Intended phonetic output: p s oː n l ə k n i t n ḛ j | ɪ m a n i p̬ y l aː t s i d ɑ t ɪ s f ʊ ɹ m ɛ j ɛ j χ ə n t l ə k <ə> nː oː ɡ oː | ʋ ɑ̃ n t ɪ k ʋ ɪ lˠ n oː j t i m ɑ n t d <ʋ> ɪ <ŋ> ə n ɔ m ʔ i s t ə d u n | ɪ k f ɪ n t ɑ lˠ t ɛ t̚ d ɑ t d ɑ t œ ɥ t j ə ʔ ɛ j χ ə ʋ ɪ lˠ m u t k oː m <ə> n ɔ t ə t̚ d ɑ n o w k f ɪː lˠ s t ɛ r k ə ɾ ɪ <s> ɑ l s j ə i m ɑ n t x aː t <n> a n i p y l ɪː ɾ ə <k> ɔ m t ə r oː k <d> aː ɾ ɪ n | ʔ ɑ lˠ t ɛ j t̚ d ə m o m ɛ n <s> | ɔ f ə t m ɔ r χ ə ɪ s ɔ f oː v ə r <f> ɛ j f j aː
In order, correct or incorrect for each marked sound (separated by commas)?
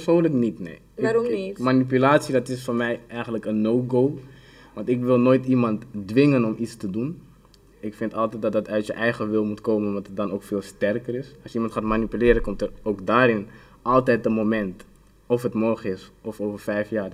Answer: correct, correct, correct, correct, correct, incorrect, correct, correct, incorrect, correct